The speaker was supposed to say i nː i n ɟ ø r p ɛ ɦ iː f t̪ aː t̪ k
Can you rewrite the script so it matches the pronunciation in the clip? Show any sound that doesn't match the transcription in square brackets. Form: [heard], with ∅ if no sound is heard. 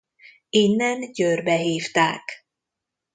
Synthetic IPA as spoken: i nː [ɛ] n ɟ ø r [b] ɛ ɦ iː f t̪ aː [∅] k